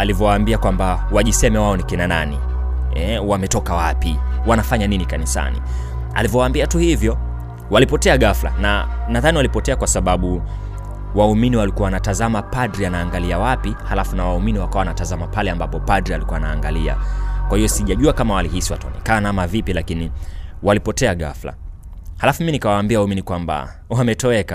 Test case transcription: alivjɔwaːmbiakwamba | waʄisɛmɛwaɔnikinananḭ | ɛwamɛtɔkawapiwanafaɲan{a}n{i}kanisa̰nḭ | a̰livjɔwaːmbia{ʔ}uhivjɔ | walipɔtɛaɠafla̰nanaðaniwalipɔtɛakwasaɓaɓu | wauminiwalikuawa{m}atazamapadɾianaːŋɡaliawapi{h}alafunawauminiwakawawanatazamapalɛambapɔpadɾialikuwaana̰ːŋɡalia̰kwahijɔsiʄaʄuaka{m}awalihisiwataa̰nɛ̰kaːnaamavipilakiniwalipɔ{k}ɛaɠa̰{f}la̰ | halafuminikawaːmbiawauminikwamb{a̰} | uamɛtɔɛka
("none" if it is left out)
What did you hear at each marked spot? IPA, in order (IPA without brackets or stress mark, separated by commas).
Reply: i, i, t, n, h, m, t, f, a̰